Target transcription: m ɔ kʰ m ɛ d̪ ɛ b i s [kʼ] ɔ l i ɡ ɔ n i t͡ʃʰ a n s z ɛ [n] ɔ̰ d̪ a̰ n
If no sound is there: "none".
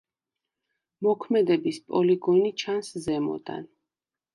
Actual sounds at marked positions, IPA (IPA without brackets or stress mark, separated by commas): pʼ, m